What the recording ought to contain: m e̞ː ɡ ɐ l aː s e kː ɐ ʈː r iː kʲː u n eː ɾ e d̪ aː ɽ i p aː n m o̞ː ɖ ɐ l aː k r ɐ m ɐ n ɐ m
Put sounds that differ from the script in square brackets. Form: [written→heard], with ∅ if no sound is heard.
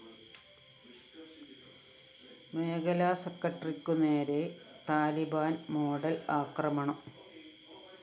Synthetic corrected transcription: m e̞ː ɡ ɐ l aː s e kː ɐ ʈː r [iː→i] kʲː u n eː ɾ e [d̪→t̪] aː [ɽ→l] i [p→b] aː n m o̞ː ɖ ɐ l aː k r ɐ m ɐ [n→ɳ] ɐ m